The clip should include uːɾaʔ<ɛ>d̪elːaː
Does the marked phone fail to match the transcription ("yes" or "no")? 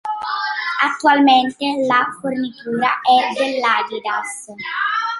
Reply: no